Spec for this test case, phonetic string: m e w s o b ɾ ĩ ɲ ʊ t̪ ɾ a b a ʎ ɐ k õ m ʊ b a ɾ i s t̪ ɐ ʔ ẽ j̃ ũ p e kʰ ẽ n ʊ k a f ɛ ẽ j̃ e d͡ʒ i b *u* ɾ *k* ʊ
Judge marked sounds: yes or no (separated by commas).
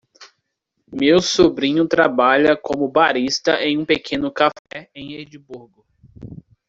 yes, no